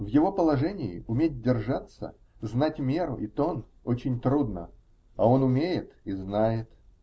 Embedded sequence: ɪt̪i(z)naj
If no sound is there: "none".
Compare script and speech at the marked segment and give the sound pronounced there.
z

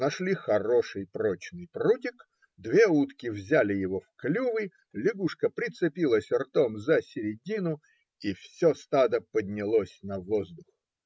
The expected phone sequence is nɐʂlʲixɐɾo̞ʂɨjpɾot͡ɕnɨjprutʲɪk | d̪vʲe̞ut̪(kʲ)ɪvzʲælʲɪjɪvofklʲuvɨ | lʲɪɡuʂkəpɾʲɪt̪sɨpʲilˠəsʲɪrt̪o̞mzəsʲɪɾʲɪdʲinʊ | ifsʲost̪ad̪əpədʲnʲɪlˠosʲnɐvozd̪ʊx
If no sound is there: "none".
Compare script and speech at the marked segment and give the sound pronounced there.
kʲ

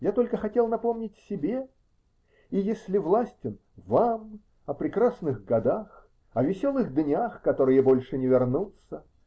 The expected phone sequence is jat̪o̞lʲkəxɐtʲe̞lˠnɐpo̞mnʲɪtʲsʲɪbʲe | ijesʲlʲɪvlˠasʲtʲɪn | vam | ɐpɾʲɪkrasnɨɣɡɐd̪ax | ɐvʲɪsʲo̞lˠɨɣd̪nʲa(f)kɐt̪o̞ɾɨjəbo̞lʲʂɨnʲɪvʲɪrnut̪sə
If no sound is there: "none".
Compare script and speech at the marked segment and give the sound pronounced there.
x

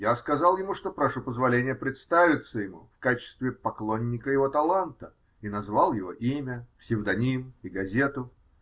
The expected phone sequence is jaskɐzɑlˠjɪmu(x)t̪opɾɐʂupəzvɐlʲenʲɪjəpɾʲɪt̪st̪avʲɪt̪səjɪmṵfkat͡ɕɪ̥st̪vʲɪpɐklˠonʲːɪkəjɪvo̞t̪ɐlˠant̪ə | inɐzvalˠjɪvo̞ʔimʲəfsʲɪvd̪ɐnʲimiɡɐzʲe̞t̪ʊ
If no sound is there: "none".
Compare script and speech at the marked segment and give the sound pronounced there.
ʂ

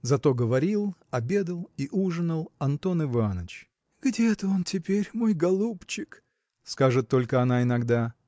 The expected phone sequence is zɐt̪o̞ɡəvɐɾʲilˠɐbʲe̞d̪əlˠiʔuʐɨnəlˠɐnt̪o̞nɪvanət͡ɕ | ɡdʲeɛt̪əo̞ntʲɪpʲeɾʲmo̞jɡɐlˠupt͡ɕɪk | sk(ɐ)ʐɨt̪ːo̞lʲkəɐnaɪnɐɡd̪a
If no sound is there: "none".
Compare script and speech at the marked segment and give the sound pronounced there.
a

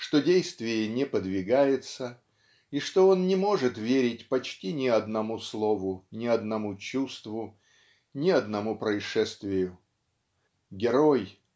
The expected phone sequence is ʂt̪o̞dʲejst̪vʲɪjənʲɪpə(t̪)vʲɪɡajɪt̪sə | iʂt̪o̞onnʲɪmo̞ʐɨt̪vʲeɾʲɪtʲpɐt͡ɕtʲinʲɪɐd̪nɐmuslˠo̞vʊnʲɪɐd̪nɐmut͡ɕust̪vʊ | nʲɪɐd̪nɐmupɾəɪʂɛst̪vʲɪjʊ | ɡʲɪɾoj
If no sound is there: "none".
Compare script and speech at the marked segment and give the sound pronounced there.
d̪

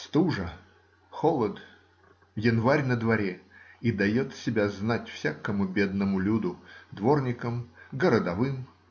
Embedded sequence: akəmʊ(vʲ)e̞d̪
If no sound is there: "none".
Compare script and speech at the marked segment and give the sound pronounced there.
bʲ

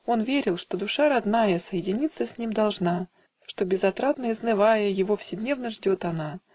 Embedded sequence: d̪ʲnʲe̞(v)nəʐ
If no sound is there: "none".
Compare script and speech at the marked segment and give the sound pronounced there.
v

